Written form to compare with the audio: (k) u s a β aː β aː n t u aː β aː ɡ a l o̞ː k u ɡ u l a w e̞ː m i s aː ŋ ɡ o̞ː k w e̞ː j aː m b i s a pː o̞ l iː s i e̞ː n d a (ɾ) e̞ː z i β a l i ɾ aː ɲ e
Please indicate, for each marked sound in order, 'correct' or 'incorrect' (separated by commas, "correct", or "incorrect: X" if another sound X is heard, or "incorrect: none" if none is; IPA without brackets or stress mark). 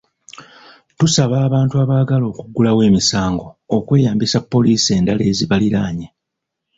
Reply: incorrect: t, incorrect: l